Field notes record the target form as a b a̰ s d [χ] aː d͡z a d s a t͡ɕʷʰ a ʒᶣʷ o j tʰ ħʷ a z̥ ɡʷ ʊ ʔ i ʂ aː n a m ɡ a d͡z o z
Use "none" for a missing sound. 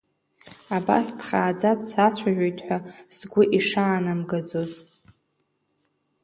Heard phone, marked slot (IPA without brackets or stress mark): χ